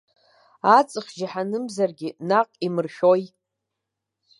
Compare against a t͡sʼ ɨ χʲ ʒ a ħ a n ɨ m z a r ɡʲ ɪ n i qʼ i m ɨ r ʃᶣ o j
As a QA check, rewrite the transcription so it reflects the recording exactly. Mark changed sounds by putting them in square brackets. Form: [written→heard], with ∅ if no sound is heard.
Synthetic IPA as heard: a t͡sʼ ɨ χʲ ʒ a ħ a n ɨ m z a r ɡʲ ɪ n [i→a] qʼ i m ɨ r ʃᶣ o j